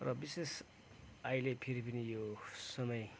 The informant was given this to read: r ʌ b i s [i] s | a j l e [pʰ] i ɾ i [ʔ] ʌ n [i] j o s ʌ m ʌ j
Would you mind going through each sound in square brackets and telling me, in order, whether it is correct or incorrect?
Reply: incorrect, correct, incorrect, correct

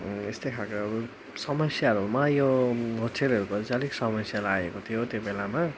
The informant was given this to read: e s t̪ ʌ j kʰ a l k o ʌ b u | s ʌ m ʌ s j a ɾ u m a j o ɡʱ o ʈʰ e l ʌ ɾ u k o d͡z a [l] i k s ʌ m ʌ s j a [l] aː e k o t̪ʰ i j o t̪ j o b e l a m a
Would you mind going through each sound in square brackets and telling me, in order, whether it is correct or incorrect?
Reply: correct, correct

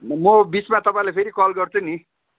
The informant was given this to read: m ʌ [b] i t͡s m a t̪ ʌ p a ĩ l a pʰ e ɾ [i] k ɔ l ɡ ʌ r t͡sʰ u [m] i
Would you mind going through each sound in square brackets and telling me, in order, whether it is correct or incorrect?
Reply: correct, correct, incorrect

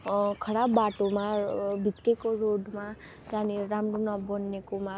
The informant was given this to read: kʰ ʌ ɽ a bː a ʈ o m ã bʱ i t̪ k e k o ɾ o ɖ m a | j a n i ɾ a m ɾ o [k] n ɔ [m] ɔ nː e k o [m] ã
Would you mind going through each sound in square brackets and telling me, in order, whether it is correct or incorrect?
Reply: incorrect, incorrect, correct

